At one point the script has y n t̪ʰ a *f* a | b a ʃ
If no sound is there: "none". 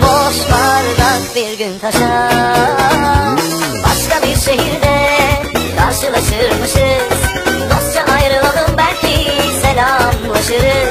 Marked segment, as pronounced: ʃ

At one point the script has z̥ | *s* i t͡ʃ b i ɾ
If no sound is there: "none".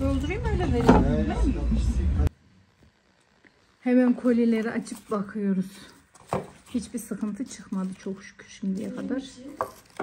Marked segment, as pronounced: h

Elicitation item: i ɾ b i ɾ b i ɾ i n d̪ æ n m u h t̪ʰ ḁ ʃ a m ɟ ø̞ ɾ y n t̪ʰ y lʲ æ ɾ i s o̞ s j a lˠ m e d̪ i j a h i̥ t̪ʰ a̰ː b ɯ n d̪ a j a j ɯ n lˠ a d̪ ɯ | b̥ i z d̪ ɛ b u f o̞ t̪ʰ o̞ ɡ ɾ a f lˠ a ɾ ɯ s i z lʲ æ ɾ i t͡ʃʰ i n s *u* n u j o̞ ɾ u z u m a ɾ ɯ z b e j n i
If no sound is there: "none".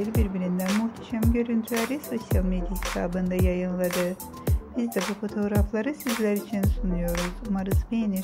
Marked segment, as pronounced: u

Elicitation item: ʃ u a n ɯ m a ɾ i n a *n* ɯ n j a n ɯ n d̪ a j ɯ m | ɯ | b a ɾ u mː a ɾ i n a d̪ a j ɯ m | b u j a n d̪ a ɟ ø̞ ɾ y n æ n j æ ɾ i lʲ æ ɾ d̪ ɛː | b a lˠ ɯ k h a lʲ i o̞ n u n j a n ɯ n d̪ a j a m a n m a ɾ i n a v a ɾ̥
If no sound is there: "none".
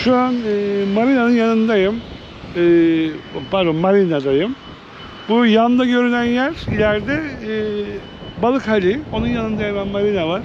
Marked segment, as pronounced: n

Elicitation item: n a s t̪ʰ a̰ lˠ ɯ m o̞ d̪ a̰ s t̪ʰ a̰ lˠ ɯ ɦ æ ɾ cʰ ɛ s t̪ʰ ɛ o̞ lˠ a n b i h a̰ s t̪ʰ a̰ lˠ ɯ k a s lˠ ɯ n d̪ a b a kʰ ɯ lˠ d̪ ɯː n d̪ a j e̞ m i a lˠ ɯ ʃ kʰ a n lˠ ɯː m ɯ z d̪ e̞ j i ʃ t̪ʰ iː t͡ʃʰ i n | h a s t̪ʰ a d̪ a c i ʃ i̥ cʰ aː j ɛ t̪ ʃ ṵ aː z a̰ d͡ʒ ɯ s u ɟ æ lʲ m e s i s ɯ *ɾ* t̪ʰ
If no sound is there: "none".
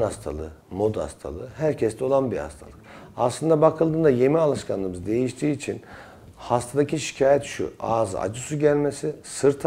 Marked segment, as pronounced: ɾ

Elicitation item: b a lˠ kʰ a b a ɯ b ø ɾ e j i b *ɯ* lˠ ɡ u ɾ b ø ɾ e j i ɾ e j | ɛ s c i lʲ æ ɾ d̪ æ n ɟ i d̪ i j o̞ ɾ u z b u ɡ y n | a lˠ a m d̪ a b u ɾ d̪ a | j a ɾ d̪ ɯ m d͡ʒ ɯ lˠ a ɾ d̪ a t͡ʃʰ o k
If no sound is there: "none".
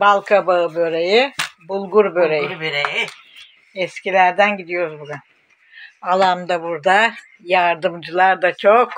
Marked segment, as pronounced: u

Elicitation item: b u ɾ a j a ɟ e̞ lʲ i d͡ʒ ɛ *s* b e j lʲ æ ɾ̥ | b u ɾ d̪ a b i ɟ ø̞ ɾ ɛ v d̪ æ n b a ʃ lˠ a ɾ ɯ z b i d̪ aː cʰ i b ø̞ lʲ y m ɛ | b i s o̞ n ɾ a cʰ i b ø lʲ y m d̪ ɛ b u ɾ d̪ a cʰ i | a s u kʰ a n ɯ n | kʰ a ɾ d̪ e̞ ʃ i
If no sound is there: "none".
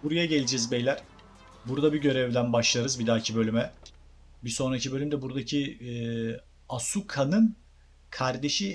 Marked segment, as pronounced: z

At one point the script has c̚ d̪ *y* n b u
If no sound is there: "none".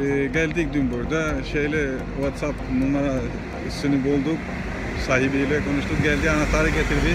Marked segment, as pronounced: y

